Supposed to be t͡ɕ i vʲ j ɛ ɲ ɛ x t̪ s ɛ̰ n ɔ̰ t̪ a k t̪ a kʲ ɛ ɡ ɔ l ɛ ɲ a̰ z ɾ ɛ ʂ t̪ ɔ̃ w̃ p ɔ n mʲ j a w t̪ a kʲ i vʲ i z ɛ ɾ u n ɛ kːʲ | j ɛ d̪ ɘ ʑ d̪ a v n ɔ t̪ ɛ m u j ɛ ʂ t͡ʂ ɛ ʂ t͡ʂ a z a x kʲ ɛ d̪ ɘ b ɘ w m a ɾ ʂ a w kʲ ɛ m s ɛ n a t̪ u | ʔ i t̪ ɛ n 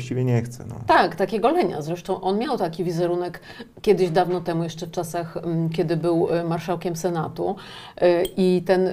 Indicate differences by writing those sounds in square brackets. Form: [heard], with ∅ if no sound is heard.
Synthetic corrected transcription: t͡ɕ i vʲ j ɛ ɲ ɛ x t̪ s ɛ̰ n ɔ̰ t̪ a k t̪ a kʲ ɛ ɡ ɔ l ɛ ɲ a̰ z ɾ ɛ ʂ t̪ ɔ̃ w̃ [ʔ] ɔ n mʲ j a w t̪ a kʲ i vʲ i z ɛ ɾ u n ɛ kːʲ | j ɛ d̪ ɘ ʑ d̪ a v n ɔ t̪ ɛ m u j ɛ ʂ t͡ʂ ɛ [f] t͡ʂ a [s] a x kʲ ɛ d̪ ɘ b ɘ w m a ɾ ʂ a w kʲ ɛ m s ɛ n a t̪ u | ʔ i t̪ ɛ n